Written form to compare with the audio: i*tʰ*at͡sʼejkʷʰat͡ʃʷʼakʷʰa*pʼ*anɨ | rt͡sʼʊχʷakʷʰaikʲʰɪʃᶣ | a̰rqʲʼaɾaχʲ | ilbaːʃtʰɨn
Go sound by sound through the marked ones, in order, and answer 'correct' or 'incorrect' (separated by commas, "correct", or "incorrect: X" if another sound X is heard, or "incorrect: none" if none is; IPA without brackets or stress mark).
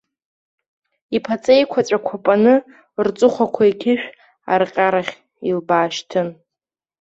incorrect: pʰ, correct